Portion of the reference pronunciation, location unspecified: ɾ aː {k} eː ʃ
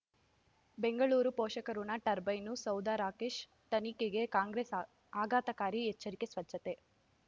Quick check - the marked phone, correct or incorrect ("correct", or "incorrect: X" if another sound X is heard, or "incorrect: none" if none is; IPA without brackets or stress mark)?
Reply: correct